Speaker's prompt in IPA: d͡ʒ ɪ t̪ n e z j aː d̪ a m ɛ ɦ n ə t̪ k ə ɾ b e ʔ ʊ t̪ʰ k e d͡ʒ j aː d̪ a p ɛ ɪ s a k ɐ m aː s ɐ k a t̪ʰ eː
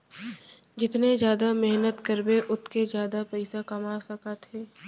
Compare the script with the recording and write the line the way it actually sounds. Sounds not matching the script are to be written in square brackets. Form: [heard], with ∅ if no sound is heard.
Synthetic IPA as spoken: d͡ʒ ɪ t̪ n e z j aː d̪ a m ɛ ɦ n ə t̪ k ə ɾ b e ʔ ʊ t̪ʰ k e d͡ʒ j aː d̪ a p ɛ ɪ s a k ɐ m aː s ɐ k a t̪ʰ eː